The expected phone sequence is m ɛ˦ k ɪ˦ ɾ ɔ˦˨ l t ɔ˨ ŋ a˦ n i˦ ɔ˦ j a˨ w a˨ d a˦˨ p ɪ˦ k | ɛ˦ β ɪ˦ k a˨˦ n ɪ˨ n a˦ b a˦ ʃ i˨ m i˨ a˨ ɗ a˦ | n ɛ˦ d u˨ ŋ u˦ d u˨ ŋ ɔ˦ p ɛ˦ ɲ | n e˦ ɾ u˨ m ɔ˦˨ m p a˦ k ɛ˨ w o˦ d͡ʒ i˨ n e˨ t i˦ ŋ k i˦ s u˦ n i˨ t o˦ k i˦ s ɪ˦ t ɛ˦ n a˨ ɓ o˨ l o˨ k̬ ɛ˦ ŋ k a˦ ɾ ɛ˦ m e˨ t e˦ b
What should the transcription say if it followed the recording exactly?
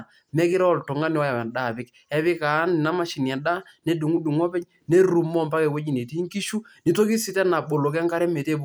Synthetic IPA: m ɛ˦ k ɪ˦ ɾ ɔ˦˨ l t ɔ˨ ŋ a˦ n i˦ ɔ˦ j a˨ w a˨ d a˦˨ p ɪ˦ k | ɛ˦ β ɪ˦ k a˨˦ n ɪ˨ n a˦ m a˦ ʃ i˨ n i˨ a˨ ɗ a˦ | n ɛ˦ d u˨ ŋ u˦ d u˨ ŋ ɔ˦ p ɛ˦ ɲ | n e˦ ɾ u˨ m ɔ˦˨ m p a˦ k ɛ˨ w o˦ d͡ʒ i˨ n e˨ t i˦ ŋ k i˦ ʃ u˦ n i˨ t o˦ k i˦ s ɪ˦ t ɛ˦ n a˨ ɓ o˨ l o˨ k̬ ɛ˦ ŋ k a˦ ɾ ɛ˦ m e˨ t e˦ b